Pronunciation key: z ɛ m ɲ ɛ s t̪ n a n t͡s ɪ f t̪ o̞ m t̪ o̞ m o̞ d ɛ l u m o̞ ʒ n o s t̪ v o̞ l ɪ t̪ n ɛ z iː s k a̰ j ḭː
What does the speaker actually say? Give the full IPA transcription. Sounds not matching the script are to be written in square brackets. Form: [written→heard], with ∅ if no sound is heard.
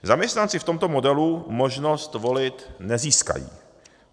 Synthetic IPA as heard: z [ɛ→a] m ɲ ɛ s t̪ n a n t͡s ɪ f t̪ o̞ m t̪ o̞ m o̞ d ɛ l u m o̞ ʒ n o s t̪ v o̞ l ɪ t̪ n ɛ z iː s k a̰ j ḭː

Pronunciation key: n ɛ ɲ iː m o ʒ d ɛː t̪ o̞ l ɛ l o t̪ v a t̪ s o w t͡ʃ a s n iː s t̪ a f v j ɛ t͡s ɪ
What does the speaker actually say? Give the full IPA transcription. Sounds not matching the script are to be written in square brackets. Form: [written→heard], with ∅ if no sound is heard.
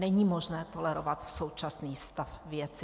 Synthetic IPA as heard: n ɛ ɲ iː m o ʒ [d→n] ɛː t̪ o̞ l ɛ [l→ɾ] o [t̪→∅] v a t̪ s o w t͡ʃ a s n iː s t̪ a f v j ɛ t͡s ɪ

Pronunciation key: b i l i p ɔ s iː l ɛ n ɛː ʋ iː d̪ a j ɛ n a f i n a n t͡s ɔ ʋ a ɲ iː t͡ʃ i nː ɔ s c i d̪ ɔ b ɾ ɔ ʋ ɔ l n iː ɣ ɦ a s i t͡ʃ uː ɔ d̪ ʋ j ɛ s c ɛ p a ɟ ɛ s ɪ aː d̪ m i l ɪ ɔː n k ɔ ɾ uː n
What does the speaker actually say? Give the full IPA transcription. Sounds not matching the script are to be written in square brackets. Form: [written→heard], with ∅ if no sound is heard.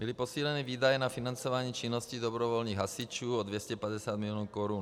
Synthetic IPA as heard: b i l i p ɔ s iː l ɛ n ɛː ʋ iː d̪ a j ɛ n a f i n a n t͡s ɔ ʋ a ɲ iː t͡ʃ i nː ɔ s c i d̪ ɔ b ɾ ɔ ʋ ɔ l n iː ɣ ɦ a s i t͡ʃ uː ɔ d̪ ʋ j ɛ s c ɛ p a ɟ ɛ s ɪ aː d̪ m i l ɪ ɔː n k ɔ ɾ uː n

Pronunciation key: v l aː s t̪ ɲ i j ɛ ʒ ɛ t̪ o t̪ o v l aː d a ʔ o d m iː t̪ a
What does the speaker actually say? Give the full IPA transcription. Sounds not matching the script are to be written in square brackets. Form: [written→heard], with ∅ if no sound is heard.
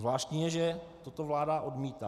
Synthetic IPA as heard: v l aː [s→ʃ] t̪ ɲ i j ɛ ʒ ɛ t̪ o t̪ o v l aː d a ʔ o d m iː t̪ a

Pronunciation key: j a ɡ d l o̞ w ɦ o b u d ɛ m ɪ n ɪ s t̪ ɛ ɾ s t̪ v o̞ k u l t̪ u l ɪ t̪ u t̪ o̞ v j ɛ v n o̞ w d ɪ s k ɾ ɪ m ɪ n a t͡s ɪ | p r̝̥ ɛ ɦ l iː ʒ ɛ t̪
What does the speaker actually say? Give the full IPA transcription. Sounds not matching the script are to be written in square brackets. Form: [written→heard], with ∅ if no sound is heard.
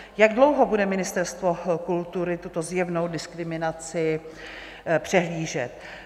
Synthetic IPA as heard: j a ɡ d l o̞ w ɦ o b u d ɛ m ɪ n ɪ s t̪ ɛ ɾ s t̪ v o̞ k u l t̪ u [l→ɾ] ɪ t̪ u t̪ o̞ [v→z] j ɛ v n o̞ w d ɪ s k ɾ ɪ m ɪ n a t͡s ɪ | p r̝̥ ɛ ɦ l iː ʒ ɛ t̪

